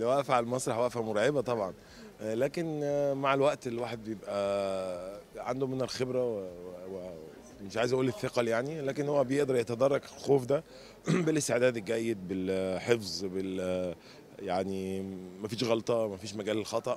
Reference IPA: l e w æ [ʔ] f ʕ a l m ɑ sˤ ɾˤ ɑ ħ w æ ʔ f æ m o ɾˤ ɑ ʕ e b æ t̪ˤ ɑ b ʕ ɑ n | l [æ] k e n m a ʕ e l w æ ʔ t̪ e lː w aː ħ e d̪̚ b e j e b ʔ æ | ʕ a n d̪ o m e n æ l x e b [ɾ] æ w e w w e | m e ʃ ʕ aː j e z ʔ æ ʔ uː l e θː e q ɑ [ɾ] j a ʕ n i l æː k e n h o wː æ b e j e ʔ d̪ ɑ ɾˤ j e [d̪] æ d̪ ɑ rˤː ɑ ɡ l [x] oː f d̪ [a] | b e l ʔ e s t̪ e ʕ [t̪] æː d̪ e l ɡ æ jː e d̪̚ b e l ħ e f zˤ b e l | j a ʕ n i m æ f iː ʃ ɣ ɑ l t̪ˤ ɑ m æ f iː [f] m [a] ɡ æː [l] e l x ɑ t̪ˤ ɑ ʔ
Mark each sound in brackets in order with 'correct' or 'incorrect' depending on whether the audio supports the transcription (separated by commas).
correct, incorrect, correct, incorrect, incorrect, correct, incorrect, incorrect, incorrect, incorrect, correct